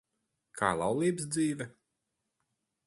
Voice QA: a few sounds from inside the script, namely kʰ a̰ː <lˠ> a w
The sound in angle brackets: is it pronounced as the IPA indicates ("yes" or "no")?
yes